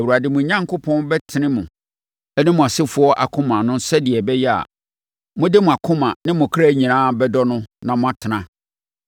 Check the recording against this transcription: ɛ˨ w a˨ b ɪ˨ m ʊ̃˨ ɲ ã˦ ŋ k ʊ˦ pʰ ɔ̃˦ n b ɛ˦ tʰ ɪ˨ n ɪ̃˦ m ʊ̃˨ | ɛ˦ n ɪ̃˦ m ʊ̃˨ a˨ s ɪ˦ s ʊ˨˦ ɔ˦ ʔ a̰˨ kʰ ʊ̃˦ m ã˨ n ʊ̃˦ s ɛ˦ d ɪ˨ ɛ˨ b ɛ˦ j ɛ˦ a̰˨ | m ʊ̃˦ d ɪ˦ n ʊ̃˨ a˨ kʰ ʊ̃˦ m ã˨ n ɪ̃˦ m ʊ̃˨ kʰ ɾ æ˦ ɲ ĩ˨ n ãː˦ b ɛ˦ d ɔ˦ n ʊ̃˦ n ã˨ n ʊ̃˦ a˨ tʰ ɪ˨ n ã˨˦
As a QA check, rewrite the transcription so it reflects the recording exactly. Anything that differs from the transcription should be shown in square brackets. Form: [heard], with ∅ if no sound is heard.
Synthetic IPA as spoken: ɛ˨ w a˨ [d] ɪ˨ m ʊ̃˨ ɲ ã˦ ŋ k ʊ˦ pʰ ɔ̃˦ n b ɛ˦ tʰ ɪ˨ n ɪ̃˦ m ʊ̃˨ | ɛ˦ n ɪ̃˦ m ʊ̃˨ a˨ s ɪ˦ [f] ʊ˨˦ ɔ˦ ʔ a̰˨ kʰ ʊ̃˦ m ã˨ n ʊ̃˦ s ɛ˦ d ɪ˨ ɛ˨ b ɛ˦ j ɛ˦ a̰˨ | m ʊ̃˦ d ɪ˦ [m] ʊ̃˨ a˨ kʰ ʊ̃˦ m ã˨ n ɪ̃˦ m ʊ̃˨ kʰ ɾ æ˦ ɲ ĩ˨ n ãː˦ b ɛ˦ d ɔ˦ n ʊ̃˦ n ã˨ [m] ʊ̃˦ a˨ tʰ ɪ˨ n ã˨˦

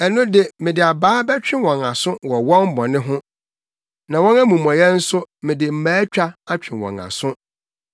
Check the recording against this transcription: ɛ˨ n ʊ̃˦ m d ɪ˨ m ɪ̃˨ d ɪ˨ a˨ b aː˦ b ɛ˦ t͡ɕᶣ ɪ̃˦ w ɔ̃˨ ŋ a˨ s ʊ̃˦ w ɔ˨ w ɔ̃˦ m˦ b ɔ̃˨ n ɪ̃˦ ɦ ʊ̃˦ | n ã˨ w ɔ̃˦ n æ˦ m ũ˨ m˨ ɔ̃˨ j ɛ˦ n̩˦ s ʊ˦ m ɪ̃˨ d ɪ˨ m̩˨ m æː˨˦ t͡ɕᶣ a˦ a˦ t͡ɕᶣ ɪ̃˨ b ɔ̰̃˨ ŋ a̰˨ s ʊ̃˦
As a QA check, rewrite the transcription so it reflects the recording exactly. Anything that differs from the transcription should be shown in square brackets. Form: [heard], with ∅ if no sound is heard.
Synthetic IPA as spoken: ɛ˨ n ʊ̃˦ [∅] d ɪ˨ m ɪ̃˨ d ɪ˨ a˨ b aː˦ b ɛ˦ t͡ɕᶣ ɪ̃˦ w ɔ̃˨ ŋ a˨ s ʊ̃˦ w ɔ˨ w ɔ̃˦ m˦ b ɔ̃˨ n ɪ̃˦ ɦ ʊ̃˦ | n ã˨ w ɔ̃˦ n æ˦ m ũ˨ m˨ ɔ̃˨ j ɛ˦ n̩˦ s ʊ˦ m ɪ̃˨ d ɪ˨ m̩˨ m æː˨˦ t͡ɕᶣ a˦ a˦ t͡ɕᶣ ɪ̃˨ [w] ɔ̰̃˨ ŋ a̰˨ s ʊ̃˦

